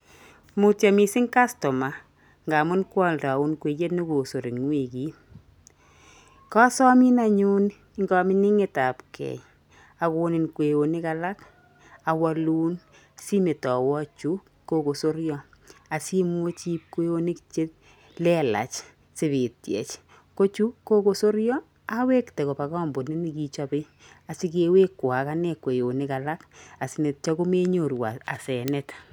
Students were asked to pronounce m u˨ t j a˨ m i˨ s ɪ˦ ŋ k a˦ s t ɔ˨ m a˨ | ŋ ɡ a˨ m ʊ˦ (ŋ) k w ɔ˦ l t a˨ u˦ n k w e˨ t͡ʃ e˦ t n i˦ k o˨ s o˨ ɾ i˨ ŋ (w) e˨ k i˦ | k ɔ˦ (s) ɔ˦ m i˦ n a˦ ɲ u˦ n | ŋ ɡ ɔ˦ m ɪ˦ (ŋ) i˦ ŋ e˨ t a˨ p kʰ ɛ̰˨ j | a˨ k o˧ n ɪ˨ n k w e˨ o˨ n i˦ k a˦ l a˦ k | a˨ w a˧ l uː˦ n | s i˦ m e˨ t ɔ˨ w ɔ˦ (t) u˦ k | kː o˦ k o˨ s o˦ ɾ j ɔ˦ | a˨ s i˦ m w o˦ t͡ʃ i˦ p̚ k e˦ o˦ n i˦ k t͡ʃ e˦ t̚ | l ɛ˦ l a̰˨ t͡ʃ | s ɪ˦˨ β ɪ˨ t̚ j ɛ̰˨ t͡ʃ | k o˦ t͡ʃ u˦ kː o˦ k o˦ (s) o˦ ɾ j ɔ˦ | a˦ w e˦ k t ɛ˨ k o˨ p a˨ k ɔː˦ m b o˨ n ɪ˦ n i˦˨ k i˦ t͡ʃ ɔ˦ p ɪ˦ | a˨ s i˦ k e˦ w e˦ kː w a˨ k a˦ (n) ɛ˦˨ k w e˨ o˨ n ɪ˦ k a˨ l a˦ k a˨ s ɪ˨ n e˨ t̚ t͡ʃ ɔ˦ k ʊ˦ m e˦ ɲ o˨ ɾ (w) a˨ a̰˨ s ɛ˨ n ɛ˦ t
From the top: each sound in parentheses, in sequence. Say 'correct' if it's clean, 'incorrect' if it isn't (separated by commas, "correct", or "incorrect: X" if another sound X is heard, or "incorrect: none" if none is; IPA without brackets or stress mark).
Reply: incorrect: n, correct, correct, incorrect: n, incorrect: t͡ʃ, correct, correct, correct